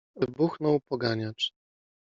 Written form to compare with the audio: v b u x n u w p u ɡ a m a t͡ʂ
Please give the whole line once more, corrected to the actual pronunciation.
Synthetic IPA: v b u x n ɔ w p ɔ ɡ a ɲ a t͡ʂ